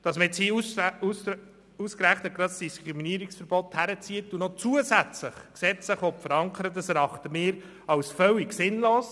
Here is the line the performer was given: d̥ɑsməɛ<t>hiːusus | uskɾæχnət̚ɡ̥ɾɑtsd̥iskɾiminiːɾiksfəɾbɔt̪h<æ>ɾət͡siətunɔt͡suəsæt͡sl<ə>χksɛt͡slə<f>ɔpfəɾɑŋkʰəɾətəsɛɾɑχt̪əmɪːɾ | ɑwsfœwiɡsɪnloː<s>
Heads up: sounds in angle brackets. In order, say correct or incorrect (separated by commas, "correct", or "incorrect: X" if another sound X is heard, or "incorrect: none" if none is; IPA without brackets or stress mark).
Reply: incorrect: t͡s, correct, correct, incorrect: χ, correct